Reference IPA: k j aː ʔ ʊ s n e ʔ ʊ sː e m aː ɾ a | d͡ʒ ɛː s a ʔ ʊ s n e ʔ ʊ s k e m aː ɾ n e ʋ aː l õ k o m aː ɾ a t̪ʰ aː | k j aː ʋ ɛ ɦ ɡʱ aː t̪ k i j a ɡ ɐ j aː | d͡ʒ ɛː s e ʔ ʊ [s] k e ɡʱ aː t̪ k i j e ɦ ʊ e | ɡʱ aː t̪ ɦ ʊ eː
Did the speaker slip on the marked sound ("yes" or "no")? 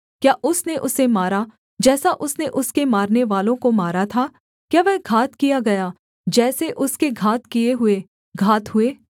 no